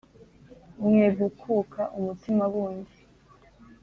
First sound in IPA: m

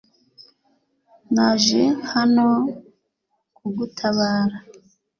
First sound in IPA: n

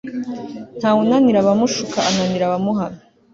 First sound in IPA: n̥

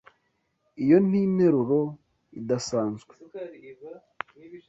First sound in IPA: i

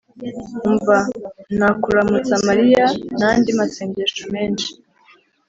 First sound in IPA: ɱ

